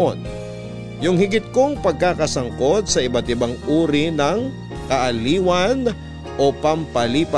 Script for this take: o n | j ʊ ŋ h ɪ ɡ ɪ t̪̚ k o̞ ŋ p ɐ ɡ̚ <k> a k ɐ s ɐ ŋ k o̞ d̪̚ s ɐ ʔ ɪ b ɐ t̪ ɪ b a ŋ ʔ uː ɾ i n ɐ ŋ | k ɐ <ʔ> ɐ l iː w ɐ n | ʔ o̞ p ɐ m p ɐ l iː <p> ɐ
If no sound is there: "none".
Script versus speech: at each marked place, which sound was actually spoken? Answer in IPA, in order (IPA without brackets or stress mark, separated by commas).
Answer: k, ʔ, p